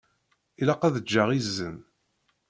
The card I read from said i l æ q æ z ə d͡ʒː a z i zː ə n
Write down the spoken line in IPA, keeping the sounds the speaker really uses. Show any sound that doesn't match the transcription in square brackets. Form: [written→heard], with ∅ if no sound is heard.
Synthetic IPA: i l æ q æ [z→ð] ə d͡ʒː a [z→ʁ] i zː ə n